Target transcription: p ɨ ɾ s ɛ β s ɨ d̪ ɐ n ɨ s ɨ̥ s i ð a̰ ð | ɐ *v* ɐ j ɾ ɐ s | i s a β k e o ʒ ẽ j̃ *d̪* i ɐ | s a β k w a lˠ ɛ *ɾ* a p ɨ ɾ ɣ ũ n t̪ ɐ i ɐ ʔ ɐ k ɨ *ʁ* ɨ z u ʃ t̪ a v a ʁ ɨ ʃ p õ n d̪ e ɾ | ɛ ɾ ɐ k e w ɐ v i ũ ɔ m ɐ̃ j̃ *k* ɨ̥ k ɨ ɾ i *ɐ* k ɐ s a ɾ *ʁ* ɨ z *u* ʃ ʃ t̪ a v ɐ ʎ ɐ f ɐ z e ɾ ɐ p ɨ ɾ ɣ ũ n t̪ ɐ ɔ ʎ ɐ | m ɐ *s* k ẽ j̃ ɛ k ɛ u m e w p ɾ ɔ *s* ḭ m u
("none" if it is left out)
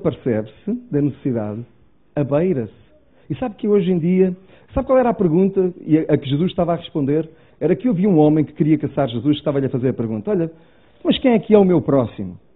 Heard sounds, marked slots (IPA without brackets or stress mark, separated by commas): β, d̪, ɾ, ʒ, k, ɐ, ʒ, u, ʃ, s